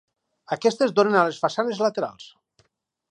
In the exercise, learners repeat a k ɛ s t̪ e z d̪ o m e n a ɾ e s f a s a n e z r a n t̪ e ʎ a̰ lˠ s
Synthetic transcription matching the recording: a k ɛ s t̪ e z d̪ o n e n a l e s f a s a n e z l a t̪ e ɾ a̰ lˠ s

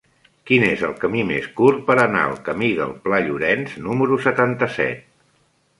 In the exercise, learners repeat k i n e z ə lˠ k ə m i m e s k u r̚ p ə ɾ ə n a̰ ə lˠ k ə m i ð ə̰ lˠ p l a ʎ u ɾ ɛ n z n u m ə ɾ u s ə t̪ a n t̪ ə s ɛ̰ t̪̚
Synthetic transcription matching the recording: k i n e z ə lˠ k ə m i m e s k u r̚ p ə ɾ ə n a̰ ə lˠ k ə m i ð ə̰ lˠ p l a ʎ u ɾ ɛ n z n u m ə ɾ u s ə t̪ a n t̪ ə s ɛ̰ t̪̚

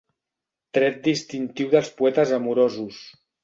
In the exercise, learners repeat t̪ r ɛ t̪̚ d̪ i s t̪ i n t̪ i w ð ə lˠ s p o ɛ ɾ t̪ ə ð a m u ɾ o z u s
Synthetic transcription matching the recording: t̪ ɾ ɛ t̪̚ d̪ i s t̪ i n t̪ i w ð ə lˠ s p u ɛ t̪ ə z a m u ɾ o z u s

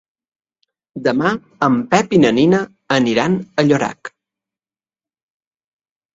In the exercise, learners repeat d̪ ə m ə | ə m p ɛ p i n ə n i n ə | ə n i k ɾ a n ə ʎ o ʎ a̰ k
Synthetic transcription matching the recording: d̪ ə m a | ə m p ɛ p i n ə n i n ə | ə n i ɾ a n ə ʎ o ɾ a̰ k

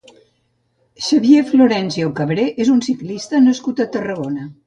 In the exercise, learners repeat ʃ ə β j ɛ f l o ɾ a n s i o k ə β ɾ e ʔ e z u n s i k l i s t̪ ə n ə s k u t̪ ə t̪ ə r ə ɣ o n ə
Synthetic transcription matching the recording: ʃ ə β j e f l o ɾ ɛ n s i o k ə β ɾ e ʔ e z u n s i k l i s t̪ ə n ə s k u t̪ ə t̪ ə r ə ɣ o n ə

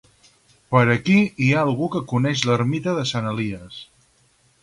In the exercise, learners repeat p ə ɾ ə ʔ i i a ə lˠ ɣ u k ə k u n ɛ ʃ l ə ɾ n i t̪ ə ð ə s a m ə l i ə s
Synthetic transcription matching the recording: p ə ɾ ə k i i a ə lˠ ɣ u k ə k u n ɛ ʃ l ə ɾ m i t̪ ə ð ə s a n ə l i ə s

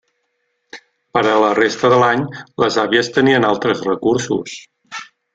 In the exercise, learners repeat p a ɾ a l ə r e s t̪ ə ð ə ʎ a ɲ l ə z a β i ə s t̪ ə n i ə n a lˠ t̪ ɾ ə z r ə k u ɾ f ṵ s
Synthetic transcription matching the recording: p ə ɾ ə l ə r e s t̪ ə ð ə l a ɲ l ə z a β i ə s t̪ ə n i ə n a lˠ t̪ ɾ ə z r ə k u ɾ s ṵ s

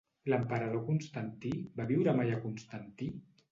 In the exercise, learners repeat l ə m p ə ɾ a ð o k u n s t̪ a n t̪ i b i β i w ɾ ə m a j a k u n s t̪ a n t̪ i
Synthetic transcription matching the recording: l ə m p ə ɾ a ð o k u n s t̪ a n t̪ i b a β i w ɾ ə m a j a k u n s t̪ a n t̪ i

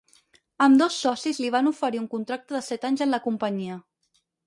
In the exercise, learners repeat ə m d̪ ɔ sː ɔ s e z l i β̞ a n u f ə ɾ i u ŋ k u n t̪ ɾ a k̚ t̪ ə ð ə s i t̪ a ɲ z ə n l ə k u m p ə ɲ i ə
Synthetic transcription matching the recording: ə m d̪ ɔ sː ɔ s i z l i β̞ a n u f ə ɾ i u ŋ k u n t̪ ɾ a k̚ t̪ ə ð ə s ɛ t̪ a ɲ z ə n l ə k u m p ə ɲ i ə

